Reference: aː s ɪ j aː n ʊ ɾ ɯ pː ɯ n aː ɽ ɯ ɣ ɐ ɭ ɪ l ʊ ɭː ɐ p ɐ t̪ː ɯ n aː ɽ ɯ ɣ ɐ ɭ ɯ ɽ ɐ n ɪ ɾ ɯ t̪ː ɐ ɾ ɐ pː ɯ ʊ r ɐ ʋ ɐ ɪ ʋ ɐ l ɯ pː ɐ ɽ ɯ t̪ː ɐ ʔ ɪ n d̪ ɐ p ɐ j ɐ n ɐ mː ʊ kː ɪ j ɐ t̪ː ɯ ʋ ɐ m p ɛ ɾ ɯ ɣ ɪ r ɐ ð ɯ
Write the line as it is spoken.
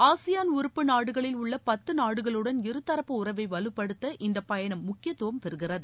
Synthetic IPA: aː s ɪ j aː n ʊ ɾ ɯ pː ɯ n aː ɽ ɯ ɣ ɐ ɭ ɪ l ʊ ɭː ɐ p ɐ t̪ː ɯ n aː ɽ ɯ ɣ ɐ ɭ ɯ ɽ ɐ n ɪ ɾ ɯ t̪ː ɐ ɾ ɐ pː ɯ ʊ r ɐ ʋ ɐ ɪ ʋ ɐ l ɯ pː ɐ ɽ ɯ t̪ː ɐ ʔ ɪ n d̪ ɐ p ɐ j ɐ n ɐ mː ʊ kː ɪ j ɐ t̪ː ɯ ʋ ɐ m p ɛ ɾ ɯ ɣ ɪ r ɐ ð ɯ

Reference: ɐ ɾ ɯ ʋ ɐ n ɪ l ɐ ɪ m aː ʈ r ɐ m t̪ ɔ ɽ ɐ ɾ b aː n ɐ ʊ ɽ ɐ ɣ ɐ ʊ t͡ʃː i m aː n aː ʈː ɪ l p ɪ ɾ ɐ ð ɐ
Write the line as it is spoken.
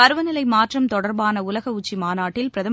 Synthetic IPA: ɐ ɾ ɯ ʋ ɐ n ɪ l ɐ ɪ m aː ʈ r ɐ m t̪ ɔ ɽ ɐ ɾ b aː n ɐ ʊ l ɐ ɣ ɐ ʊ t͡ʃː i m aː n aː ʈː ɪ l p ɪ ɾ ɐ ð ɐ

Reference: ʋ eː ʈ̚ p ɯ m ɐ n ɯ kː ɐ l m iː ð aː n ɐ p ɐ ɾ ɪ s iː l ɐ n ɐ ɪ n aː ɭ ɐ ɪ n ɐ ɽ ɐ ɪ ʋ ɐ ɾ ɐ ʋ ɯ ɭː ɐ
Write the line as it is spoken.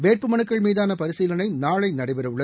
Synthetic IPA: ʋ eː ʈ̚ p ɯ m ɐ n ɯ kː ɐ ɭ m iː ð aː n ɐ p ɐ ɾ ɪ s iː l ɐ n ɐ ɪ n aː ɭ ɐ ɪ n ɐ ɽ ɐ ɪ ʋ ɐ ɾ ɐ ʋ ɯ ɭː ɐ

